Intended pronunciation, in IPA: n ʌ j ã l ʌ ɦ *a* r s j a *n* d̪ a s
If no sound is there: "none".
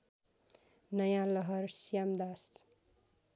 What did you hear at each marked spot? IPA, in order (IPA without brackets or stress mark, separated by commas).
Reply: ʌ, m